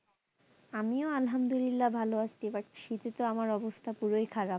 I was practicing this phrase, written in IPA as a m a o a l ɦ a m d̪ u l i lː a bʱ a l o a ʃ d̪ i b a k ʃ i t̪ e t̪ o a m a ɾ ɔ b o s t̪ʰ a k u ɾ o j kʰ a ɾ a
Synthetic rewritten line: a m i o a l ɦ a m d̪ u l i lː a bʱ a l o a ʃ t̪ i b a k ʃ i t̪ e t̪ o a m a ɾ ɔ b o s t̪ʰ a p u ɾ o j kʰ a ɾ a